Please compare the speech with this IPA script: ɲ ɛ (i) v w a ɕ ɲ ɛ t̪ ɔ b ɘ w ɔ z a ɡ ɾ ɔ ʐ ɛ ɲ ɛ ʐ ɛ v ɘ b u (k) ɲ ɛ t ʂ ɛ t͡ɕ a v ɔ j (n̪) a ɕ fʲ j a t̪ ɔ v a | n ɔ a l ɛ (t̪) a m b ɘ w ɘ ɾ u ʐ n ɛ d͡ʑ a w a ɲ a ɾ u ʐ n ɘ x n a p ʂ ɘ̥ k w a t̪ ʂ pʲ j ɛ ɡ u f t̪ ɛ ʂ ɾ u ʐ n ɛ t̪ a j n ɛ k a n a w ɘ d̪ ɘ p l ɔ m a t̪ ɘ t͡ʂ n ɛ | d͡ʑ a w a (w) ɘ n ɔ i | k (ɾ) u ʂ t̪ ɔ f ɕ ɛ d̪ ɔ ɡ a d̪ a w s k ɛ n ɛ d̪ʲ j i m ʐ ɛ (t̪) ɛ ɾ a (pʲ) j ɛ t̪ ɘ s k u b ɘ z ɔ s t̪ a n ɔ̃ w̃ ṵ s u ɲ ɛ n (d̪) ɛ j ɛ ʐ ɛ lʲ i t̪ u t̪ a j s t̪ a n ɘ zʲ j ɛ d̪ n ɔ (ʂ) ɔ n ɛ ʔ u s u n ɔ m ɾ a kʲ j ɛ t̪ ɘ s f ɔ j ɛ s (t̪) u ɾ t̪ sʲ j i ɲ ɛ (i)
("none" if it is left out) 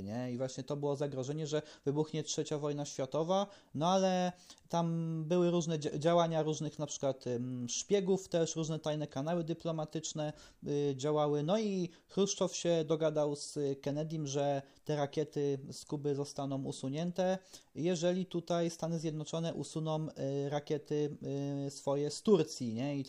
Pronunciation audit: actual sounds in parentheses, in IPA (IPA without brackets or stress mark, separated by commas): i, x, n̪, t̪, w, ɾ, t̪, kʲ, t̪, t͡ʂ, t̪, i